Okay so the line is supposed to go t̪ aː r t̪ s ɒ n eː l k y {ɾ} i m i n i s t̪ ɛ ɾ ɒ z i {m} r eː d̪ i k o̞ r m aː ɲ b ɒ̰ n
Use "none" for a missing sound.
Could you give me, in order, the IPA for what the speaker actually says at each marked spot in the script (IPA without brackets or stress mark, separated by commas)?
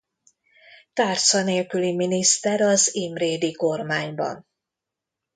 l, m